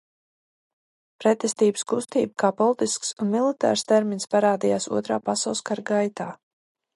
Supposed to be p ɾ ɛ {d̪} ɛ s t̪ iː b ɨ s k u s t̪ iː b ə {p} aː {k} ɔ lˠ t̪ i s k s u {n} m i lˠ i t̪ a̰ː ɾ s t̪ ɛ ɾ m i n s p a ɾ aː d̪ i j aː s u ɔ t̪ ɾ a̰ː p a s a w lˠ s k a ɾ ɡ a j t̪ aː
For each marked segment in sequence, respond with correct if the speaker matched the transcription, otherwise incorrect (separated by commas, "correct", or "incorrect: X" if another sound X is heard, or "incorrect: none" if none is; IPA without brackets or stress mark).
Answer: incorrect: t̪, incorrect: k, incorrect: p, correct